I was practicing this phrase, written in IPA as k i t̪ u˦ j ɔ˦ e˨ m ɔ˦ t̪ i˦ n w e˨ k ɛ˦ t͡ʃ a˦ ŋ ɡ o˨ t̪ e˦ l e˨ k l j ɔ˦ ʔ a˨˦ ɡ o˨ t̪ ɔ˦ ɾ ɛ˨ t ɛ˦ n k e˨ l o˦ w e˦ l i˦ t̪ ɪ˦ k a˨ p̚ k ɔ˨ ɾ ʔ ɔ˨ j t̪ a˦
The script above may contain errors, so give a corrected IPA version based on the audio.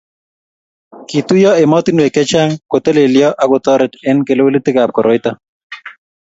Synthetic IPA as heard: k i t̪ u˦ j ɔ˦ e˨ m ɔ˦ t̪ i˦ n w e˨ k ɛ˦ t͡ʃ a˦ ŋ k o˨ t̪ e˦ l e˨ l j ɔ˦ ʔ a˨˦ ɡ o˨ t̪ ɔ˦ ɾ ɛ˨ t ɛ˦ n k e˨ l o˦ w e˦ l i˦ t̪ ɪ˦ k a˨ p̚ k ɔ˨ ɾ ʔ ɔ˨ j t̪ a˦